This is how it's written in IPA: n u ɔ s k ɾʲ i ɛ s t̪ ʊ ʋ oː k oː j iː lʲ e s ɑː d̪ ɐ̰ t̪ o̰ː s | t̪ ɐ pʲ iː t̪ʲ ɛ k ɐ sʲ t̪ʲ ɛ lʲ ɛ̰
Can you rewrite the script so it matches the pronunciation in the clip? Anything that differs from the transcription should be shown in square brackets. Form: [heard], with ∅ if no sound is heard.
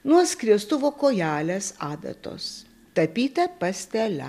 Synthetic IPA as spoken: n u ɔ s k ɾʲ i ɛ s t̪ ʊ ʋ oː k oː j [æː] lʲ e s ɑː d̪ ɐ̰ t̪ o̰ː s | t̪ ɐ pʲ iː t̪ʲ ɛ [p] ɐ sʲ t̪ʲ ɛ lʲ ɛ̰